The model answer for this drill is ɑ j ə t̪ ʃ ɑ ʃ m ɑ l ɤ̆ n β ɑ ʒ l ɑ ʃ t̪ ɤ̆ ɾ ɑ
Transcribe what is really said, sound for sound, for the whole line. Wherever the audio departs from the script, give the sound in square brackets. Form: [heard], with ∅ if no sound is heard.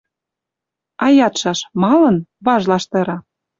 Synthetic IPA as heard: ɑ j [ɑ] t̪ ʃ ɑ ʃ m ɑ l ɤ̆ n β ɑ ʒ l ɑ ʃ t̪ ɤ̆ ɾ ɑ